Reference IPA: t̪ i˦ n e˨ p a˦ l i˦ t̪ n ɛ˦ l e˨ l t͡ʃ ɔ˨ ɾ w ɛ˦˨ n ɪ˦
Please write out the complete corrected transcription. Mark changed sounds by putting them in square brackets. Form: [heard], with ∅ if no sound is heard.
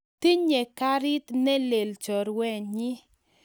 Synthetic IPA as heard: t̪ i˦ [ɲ] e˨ [k] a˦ [ɾ] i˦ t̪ n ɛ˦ l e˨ l t͡ʃ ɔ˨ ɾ w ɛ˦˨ [ɲ] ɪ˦